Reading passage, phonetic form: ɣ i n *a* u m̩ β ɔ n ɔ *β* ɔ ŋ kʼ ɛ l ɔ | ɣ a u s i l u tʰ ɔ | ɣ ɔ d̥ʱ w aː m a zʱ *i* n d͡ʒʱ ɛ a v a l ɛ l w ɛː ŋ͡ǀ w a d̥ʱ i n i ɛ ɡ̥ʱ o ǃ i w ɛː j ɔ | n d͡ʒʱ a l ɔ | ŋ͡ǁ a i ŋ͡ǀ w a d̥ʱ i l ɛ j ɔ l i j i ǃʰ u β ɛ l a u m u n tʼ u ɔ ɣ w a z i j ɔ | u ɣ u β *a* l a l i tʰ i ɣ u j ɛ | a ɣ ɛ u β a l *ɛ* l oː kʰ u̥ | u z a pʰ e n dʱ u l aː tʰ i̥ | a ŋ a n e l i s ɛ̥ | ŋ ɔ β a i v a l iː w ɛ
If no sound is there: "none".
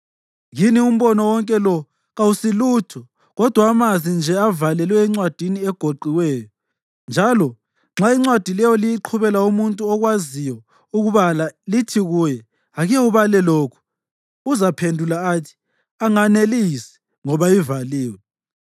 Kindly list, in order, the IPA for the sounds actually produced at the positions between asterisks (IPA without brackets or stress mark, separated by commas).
i, w, i, a, ɛ